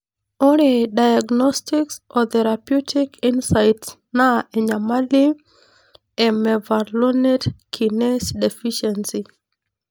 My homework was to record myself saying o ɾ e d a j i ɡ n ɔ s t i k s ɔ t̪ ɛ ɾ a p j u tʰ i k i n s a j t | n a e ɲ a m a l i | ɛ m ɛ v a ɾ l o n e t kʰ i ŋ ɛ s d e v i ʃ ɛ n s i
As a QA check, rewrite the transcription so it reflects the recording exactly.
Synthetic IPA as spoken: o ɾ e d a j a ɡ n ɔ s t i k s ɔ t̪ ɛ ɾ a p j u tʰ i k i n s a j t | n a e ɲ a m a l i | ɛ m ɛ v a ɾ l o n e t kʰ i n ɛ s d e f i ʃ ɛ n s i